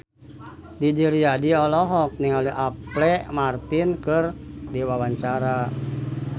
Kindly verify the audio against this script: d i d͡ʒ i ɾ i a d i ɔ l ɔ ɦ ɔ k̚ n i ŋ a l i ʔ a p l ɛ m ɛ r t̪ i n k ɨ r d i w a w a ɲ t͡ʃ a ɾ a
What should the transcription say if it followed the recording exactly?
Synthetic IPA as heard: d i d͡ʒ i ɾ i a d i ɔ l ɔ ɦ ɔ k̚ n i ŋ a l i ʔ a p l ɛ m a r t̪ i n k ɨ r d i w a w a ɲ t͡ʃ a ɾ a